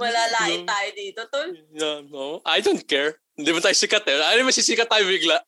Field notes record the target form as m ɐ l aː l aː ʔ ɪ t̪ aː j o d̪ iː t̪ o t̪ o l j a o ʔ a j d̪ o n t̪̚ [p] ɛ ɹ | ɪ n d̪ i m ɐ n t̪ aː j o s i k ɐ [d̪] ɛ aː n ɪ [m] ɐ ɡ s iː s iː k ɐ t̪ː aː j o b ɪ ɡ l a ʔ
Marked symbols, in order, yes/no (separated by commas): no, no, yes